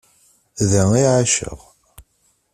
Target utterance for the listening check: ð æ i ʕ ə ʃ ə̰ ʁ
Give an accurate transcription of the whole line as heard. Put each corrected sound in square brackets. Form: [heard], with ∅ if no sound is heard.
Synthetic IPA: ð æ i ʕ [a] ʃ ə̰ ʁ